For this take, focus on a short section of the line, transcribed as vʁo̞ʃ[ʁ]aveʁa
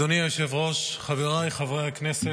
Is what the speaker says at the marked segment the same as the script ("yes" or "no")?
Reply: no